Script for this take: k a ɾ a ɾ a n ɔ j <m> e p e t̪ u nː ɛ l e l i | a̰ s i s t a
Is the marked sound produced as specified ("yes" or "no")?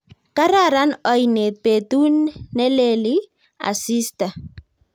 no